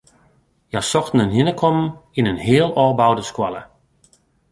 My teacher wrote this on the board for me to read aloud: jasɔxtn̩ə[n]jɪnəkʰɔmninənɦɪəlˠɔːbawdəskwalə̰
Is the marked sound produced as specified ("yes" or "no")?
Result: yes